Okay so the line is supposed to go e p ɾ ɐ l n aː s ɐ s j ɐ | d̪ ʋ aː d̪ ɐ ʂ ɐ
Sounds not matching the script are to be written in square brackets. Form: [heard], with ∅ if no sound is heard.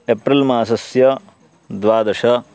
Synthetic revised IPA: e p ɾ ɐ l [m] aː s ɐ s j ɐ | d̪ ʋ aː d̪ ɐ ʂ ɐ